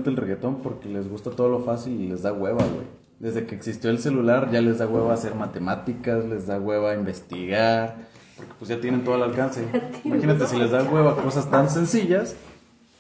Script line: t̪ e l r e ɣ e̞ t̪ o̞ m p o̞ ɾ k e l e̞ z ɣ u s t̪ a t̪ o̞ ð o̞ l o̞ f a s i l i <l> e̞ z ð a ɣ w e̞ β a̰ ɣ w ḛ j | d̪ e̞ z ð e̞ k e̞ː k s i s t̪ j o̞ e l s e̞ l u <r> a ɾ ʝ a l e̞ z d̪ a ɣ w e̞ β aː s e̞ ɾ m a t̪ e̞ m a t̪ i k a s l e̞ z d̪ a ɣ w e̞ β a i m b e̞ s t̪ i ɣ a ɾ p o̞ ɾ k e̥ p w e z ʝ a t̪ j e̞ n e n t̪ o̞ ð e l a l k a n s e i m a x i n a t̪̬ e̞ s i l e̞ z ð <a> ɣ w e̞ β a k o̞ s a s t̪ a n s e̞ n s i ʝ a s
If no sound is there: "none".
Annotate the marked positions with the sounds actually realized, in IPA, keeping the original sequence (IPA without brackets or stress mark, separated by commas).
l, l, a